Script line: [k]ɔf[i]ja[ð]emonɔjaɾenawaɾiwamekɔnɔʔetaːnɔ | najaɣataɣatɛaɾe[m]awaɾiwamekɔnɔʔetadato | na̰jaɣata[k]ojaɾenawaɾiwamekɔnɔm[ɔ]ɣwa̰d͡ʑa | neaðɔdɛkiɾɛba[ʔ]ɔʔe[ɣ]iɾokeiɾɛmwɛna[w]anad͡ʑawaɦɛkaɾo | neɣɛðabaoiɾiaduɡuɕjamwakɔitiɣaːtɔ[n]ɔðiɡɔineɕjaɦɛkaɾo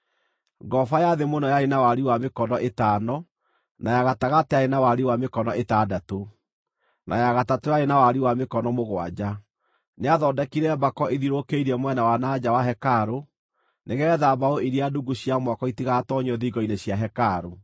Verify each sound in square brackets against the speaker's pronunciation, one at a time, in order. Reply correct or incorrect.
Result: incorrect, incorrect, correct, incorrect, incorrect, incorrect, incorrect, incorrect, correct, incorrect

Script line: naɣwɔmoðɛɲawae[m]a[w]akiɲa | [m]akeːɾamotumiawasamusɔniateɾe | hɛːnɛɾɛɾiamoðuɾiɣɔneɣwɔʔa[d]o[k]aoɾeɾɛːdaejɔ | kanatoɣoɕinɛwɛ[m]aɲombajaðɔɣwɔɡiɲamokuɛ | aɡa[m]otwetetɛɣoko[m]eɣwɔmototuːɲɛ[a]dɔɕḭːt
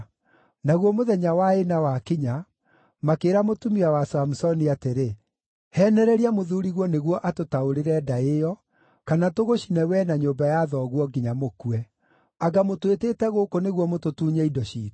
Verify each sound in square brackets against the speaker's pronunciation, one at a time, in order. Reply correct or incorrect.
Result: incorrect, correct, correct, incorrect, incorrect, incorrect, correct, incorrect, incorrect

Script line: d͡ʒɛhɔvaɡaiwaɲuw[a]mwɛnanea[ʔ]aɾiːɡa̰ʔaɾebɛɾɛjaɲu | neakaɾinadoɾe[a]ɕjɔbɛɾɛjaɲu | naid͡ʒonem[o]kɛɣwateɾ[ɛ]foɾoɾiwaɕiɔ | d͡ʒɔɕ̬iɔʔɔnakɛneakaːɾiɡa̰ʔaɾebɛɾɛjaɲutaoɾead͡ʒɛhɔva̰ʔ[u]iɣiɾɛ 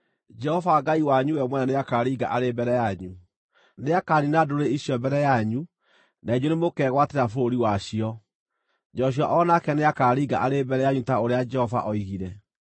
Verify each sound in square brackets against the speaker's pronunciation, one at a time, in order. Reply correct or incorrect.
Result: incorrect, incorrect, incorrect, correct, incorrect, incorrect

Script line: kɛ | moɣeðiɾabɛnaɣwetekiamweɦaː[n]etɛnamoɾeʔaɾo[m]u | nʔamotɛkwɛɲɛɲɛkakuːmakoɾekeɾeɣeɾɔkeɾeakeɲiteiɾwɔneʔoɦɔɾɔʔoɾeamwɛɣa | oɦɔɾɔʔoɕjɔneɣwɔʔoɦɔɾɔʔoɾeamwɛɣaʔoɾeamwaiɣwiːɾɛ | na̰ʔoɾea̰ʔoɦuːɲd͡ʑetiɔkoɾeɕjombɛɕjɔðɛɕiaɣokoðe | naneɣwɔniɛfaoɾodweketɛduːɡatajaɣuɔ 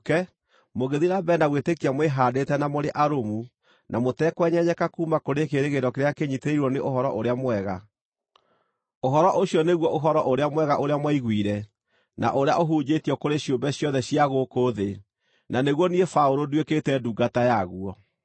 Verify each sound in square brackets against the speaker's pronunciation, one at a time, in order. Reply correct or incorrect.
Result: incorrect, correct

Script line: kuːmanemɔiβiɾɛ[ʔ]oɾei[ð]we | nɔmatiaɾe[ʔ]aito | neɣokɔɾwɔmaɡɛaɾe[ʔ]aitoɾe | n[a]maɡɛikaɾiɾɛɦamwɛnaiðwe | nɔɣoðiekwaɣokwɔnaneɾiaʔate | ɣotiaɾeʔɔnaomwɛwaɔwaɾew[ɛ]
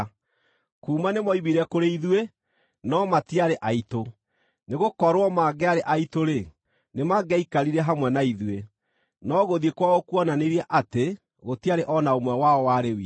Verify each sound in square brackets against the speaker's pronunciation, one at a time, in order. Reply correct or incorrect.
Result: incorrect, correct, correct, correct, incorrect, incorrect

